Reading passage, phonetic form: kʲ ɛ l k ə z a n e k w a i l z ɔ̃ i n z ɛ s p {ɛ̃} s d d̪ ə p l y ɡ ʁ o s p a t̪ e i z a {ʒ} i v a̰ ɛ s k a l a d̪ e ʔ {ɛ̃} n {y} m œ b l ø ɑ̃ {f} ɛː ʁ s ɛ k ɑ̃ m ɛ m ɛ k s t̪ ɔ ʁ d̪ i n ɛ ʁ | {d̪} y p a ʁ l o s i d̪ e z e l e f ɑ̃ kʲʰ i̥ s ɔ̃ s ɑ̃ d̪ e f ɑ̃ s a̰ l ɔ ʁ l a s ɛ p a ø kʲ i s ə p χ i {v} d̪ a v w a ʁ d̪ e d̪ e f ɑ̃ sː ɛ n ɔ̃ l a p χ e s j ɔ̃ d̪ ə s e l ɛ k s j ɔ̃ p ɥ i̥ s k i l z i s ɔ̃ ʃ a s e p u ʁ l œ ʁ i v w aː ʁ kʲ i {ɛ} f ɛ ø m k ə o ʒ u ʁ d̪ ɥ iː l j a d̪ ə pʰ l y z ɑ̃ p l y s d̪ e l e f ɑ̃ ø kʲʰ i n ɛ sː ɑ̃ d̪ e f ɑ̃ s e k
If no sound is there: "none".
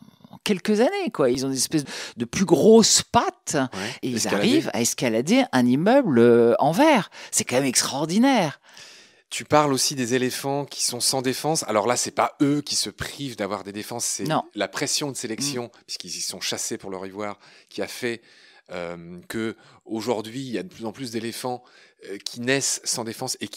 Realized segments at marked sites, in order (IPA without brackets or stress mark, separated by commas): ɛ, ʁ, ɛ̃, i, v, t̪, v, a